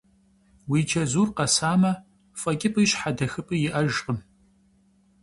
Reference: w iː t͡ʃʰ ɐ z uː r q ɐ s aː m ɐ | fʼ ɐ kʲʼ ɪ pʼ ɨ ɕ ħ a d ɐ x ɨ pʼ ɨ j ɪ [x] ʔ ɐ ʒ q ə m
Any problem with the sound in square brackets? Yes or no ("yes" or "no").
yes